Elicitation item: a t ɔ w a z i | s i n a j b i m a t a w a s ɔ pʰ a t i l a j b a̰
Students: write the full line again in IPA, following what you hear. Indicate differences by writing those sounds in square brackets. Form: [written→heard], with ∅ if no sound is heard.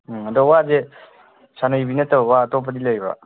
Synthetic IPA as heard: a [t→d] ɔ w a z [i→e] | s [i→a] n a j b i [m→n] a t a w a [s→t] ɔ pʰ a [t→d] i l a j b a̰